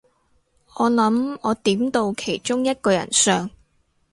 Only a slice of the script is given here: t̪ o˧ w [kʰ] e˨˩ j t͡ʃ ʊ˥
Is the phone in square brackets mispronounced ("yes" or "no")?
no